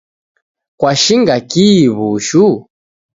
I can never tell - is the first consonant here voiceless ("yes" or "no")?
yes